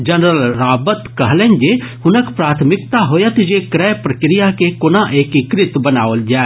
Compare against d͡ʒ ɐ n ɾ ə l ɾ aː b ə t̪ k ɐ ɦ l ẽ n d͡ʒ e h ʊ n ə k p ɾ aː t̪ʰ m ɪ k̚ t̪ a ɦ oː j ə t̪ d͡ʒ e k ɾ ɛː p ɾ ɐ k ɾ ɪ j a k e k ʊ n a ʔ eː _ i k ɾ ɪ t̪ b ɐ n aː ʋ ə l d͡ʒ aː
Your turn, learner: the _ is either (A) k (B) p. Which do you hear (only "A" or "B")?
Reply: A